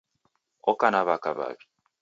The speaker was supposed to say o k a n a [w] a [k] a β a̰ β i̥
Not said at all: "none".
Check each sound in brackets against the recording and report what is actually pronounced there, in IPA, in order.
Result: β, k

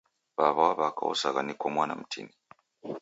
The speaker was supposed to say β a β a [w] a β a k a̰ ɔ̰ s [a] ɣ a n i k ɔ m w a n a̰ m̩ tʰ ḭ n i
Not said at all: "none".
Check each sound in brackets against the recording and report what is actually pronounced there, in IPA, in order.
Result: w, a

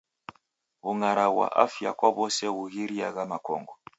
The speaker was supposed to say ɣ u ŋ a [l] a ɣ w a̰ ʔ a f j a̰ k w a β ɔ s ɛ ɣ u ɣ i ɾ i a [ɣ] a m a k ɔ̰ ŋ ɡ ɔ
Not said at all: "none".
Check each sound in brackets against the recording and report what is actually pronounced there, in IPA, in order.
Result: ɾ, ɣ

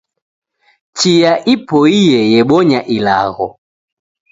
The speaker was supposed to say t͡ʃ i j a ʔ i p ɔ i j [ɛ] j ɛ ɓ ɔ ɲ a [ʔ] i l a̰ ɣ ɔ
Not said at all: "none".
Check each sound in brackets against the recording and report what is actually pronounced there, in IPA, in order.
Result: ɛ, ʔ

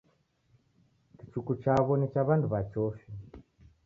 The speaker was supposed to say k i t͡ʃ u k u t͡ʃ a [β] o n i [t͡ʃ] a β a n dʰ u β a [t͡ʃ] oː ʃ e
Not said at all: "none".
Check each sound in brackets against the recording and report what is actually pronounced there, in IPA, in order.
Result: β, t͡ʃ, t͡ʃ

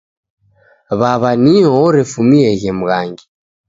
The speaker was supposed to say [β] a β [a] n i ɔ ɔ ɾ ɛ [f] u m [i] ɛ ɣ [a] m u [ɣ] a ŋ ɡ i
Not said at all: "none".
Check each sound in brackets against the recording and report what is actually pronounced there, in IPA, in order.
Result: β, a, f, i, ɛ, ɣ

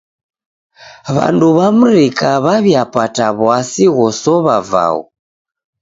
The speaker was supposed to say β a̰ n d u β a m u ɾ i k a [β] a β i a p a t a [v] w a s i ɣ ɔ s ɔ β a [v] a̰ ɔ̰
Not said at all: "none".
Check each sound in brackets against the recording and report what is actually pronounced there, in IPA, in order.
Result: β, β, v

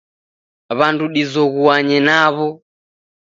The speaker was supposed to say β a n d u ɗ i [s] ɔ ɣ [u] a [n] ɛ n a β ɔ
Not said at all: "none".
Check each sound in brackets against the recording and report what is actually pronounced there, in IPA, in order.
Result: z, u, ɲ

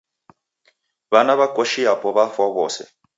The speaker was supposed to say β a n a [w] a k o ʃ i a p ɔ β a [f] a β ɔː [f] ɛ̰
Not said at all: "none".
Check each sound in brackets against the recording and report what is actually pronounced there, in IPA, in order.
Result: β, f, s

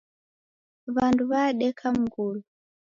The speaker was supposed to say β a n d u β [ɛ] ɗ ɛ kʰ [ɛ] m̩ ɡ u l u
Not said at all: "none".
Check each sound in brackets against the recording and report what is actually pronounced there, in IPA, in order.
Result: a, a

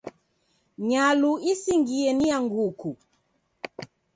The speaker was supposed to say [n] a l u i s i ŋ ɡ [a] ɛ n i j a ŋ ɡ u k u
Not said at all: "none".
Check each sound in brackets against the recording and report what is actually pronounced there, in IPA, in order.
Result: ɲ, i

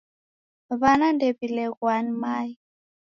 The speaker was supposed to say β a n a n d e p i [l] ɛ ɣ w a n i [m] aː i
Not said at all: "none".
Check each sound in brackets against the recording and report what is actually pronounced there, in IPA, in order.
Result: l, m

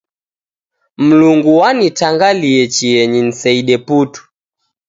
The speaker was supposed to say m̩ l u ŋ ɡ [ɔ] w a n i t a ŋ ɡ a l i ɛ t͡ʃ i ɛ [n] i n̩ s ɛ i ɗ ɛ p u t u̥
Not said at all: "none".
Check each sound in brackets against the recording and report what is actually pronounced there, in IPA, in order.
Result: u, ɲ

